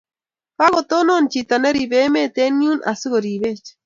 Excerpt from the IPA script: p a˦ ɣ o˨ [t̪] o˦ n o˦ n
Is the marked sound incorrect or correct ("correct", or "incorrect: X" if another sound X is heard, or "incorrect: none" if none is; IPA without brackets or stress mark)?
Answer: correct